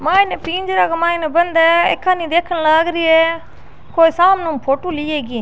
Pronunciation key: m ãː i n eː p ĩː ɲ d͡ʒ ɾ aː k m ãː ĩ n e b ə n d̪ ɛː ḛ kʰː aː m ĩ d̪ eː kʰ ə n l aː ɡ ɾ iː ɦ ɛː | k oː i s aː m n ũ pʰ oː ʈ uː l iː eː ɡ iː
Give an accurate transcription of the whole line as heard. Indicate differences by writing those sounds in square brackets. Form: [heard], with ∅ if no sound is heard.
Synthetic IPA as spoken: m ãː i n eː p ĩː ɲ d͡ʒ ɾ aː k m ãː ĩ n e b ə n d̪ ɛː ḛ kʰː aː [n] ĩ d̪ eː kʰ ə n l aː ɡ ɾ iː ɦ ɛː | k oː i s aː m n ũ pʰ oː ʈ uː l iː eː ɡ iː